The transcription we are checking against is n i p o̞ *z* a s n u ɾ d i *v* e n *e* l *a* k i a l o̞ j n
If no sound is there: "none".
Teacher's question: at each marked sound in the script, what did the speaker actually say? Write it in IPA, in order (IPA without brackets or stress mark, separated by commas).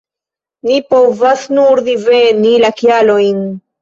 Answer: v, v, i, a